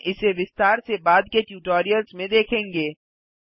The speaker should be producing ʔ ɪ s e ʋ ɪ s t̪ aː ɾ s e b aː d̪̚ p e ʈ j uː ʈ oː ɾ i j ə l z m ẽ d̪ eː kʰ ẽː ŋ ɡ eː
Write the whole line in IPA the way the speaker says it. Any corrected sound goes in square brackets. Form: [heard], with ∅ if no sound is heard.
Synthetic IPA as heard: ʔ ɪ s e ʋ ɪ s t̪ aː ɾ s e b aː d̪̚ [k] e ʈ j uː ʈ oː ɾ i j ə l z m ẽ d̪ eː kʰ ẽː ŋ ɡ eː